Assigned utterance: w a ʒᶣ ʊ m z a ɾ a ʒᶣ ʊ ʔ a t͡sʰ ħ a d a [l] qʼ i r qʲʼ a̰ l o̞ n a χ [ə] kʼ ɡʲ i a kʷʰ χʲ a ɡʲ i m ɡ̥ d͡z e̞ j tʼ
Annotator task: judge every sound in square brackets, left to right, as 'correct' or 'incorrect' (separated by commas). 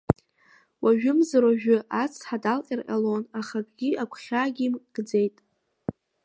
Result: correct, incorrect